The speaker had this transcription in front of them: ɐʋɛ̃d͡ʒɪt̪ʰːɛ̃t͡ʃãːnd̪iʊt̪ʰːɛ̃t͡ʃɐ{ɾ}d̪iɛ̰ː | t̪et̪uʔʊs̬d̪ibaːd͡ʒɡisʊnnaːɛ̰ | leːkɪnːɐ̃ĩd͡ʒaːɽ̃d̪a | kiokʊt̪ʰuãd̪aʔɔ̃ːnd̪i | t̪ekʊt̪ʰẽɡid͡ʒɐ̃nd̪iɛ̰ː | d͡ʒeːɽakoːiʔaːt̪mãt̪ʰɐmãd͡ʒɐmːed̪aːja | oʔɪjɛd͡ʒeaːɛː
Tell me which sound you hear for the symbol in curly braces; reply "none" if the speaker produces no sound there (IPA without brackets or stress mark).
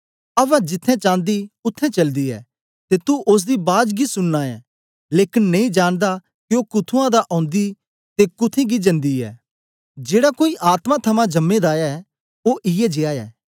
l